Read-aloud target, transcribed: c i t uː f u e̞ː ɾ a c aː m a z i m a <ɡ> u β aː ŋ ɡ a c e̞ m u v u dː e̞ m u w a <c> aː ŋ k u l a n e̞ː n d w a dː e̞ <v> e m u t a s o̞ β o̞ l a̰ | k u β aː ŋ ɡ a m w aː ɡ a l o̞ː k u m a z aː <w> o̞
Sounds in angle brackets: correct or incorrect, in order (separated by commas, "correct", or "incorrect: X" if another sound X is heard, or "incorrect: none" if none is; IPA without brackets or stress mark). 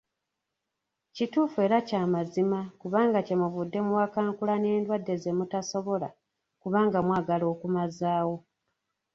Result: incorrect: k, incorrect: k, incorrect: z, correct